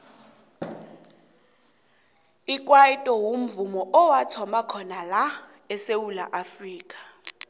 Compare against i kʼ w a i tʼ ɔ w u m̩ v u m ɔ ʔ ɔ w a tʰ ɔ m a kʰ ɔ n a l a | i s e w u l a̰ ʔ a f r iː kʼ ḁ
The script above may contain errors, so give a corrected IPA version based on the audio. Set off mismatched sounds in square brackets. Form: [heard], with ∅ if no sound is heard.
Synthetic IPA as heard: i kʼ w a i tʼ ɔ w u m̩ v u m ɔ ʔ ɔ w a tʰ ɔ m a kʰ ɔ n a l a | [ɛ] s e w u l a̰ ʔ a f r iː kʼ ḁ